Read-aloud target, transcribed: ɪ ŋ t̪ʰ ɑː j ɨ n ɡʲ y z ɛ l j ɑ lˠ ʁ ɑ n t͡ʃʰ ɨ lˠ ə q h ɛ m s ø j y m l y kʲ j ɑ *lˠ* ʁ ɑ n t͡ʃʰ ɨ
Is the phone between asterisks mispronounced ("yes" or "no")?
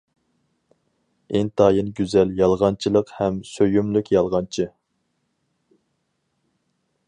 no